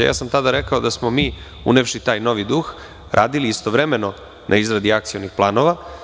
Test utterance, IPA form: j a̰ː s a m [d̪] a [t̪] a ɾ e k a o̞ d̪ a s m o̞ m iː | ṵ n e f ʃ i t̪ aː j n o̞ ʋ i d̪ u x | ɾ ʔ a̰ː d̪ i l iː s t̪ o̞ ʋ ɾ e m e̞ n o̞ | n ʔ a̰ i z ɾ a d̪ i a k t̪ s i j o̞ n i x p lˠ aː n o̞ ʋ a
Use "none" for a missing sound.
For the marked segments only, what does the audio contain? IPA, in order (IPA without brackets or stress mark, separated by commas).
t̪, d̪